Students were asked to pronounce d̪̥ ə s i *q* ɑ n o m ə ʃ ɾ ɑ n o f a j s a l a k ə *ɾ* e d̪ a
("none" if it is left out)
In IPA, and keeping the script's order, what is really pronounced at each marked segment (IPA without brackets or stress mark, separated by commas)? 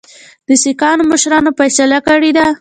k, ɽ